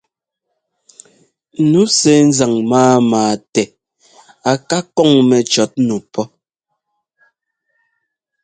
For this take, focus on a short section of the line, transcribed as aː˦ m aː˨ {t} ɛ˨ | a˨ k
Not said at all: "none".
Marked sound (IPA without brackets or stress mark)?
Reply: t